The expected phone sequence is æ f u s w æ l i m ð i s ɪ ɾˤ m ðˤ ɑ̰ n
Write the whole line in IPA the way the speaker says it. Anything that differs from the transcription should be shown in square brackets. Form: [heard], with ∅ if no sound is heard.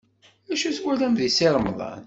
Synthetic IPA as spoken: æ [ʃ] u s w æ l [æ] m ð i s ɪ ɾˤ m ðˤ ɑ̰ n